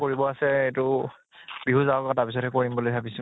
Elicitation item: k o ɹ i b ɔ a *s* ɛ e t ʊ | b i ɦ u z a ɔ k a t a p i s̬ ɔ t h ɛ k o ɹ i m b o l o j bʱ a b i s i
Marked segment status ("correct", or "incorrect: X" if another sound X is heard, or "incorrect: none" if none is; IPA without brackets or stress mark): correct